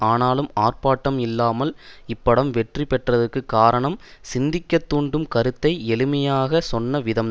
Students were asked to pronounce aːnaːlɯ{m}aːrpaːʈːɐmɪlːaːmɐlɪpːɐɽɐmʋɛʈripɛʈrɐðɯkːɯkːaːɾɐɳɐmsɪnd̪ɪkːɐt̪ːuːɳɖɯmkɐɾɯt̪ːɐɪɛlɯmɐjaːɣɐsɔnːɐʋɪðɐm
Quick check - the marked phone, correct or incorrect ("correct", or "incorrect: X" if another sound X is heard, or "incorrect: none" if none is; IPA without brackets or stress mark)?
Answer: correct